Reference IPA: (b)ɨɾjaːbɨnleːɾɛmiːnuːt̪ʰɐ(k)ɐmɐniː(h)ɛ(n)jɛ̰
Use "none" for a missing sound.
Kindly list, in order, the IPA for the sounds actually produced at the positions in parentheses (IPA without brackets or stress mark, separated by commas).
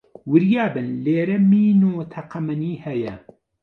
w, q, h, none